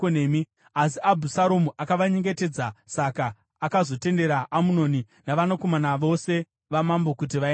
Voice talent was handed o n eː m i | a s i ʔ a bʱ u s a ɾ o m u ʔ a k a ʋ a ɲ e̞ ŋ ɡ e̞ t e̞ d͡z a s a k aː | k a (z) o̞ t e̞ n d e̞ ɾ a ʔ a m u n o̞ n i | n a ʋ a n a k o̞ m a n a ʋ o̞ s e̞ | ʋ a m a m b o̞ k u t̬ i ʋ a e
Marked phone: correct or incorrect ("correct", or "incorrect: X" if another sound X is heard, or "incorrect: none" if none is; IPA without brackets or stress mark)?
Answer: correct